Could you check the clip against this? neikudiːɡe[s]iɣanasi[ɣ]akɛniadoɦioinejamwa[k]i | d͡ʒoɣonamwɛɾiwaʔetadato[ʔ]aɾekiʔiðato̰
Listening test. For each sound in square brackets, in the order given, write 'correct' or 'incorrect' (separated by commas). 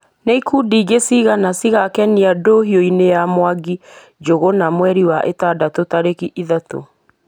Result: correct, correct, incorrect, incorrect